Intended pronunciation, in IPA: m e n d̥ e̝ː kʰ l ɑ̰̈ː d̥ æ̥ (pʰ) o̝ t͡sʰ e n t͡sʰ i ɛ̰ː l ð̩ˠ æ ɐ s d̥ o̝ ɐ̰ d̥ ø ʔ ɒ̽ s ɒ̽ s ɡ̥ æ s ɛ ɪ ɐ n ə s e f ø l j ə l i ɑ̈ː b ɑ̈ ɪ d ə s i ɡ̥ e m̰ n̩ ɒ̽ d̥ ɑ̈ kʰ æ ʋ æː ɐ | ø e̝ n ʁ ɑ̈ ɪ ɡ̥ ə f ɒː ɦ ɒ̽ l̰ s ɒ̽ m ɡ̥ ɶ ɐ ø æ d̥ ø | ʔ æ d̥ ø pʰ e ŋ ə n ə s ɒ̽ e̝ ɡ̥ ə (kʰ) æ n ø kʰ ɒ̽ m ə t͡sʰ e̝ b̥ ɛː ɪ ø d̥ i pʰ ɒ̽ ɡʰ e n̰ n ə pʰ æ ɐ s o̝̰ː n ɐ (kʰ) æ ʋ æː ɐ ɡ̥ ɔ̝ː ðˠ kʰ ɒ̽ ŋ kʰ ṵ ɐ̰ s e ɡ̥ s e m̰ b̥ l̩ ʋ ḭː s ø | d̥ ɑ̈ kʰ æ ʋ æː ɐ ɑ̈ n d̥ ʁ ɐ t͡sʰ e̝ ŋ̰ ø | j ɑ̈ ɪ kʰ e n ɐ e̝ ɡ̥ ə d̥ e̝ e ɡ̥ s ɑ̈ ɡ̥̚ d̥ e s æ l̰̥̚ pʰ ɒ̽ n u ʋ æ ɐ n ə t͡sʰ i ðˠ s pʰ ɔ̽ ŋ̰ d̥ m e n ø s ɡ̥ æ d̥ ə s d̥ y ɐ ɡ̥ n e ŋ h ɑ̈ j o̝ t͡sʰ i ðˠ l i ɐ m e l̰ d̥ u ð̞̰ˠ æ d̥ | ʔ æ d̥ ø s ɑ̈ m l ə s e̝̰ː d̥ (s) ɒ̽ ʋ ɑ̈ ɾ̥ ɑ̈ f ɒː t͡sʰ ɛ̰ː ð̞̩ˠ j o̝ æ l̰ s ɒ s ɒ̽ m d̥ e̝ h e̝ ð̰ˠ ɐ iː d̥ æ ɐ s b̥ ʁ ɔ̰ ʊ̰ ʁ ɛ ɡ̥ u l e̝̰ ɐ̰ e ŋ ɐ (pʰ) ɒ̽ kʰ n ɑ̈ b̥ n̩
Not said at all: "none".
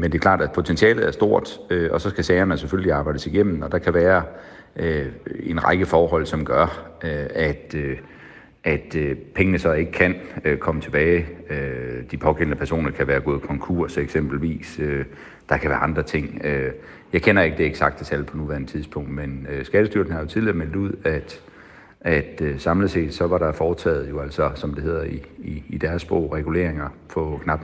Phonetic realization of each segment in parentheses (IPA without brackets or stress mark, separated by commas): pʰ, kʰ, kʰ, s, pʰ